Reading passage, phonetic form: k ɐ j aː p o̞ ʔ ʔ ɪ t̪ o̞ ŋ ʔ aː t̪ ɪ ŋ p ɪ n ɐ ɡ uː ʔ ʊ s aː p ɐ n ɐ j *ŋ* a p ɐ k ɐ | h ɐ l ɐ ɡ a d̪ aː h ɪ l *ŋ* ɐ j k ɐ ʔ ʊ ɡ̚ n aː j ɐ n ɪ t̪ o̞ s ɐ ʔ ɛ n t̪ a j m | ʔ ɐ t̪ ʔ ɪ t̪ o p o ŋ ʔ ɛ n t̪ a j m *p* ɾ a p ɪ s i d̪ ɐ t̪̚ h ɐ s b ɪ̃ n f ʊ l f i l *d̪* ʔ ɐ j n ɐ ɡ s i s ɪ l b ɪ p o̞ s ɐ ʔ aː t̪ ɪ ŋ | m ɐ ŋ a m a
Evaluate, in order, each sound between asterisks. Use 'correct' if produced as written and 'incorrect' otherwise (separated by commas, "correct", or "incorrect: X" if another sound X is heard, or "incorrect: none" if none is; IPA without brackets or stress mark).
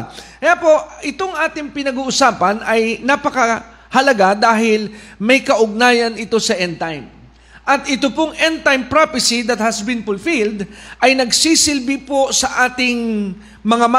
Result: incorrect: n, incorrect: m, correct, correct